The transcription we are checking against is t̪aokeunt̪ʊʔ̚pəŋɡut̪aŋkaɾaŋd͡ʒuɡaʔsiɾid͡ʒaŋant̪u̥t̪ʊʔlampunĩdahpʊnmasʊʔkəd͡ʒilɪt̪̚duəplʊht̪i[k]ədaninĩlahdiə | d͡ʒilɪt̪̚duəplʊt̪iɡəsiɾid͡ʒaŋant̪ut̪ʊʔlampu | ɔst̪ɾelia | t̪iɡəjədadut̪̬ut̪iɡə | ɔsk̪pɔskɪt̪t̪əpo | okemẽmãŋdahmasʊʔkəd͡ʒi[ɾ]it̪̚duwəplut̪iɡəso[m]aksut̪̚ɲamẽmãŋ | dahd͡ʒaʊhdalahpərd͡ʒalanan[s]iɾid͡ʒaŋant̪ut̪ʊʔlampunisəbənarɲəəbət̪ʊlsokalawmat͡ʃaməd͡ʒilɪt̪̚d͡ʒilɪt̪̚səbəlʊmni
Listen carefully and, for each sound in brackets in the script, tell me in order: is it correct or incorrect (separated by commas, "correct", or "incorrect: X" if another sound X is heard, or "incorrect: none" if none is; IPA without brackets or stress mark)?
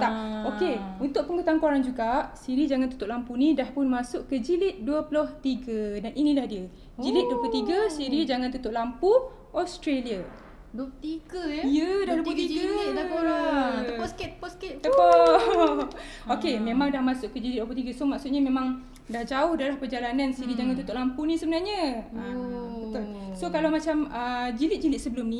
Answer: incorrect: ɡ, incorrect: l, correct, correct